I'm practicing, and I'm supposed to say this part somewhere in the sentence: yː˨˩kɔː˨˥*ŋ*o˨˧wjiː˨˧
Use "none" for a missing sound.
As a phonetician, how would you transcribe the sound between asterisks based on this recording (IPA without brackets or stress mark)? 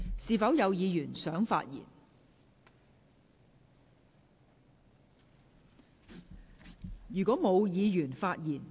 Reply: m